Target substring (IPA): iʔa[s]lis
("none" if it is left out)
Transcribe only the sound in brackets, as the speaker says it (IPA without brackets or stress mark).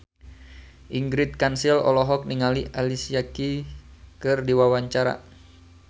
none